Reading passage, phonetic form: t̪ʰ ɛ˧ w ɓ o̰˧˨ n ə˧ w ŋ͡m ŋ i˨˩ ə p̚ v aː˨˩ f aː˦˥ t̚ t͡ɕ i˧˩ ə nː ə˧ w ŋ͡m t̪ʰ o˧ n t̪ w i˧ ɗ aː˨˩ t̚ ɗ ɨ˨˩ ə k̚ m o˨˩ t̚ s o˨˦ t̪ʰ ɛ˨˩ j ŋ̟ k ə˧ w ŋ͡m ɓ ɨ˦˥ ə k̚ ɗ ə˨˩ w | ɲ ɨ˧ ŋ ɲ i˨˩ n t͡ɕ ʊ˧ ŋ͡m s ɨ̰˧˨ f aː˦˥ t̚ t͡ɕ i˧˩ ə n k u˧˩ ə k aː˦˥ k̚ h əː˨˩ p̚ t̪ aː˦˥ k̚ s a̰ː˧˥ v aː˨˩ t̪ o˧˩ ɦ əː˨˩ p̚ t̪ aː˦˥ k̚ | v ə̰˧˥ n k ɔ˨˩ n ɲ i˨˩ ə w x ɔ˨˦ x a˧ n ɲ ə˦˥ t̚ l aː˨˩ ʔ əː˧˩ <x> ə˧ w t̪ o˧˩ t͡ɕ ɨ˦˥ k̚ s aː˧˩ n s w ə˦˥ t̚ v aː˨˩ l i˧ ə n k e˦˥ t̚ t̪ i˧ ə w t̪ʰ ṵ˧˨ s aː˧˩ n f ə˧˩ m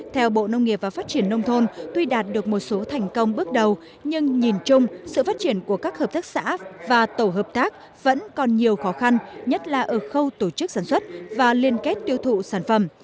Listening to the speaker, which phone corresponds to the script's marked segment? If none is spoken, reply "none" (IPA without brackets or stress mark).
x